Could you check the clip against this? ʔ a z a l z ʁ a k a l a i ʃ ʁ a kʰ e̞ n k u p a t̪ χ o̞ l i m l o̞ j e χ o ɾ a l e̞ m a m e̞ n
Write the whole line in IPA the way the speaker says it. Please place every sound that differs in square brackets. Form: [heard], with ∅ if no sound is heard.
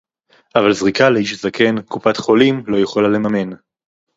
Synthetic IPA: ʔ a [v] a l z ʁ [i] k a l [e] i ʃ [z] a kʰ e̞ n k u p a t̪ χ o̞ l i m l o̞ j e χ o [l] a l e̞ m a m e̞ n